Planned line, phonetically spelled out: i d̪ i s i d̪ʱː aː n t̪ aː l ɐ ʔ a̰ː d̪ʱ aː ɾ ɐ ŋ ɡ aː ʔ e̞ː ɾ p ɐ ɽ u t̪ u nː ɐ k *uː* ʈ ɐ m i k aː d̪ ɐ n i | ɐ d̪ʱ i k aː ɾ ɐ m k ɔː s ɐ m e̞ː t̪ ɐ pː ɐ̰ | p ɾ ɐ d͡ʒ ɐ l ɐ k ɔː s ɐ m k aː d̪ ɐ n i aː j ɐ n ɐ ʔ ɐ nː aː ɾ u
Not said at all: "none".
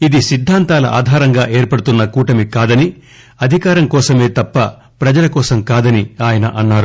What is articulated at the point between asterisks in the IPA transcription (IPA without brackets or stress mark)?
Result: uː